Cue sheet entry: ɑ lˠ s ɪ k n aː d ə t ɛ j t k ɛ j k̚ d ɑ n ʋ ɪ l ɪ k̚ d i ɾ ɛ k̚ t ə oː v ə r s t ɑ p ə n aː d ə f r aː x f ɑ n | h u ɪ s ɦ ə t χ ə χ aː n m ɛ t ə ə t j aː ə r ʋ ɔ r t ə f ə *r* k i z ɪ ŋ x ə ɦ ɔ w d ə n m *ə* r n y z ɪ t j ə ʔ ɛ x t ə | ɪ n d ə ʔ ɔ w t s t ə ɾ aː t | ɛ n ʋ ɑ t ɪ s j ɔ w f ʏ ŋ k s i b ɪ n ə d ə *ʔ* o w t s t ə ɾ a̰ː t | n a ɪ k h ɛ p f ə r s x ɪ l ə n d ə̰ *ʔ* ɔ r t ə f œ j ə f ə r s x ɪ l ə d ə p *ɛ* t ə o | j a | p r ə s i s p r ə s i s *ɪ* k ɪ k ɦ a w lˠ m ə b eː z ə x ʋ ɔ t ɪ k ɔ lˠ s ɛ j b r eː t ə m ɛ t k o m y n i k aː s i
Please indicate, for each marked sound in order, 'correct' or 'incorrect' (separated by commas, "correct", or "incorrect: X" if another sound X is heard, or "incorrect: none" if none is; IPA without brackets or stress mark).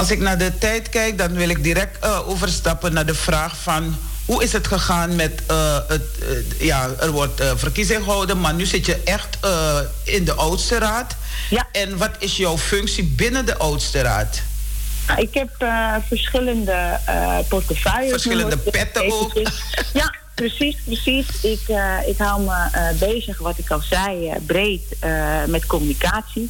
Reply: correct, incorrect: a, correct, incorrect: p, correct, correct